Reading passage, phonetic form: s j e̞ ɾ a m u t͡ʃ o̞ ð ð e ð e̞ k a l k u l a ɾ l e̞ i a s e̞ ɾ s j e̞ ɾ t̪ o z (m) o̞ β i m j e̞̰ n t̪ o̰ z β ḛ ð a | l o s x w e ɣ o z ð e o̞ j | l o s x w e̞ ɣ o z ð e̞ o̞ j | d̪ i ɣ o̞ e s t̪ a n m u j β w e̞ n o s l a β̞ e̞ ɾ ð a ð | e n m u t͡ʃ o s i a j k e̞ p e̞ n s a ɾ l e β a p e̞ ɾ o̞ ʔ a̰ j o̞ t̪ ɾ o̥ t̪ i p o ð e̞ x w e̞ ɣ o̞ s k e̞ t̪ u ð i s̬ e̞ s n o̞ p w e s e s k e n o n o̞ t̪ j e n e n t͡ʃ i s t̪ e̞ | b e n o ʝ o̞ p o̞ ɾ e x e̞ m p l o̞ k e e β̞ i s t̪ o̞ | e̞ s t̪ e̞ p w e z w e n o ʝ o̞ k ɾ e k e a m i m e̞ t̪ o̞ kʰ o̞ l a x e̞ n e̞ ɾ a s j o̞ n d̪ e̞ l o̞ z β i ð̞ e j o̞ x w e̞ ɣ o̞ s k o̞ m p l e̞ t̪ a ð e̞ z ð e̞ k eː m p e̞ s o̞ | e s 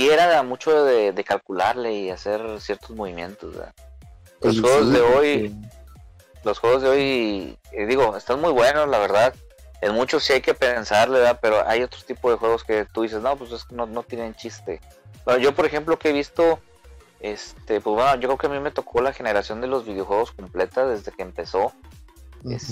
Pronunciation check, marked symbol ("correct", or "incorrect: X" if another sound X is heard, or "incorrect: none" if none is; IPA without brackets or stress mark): correct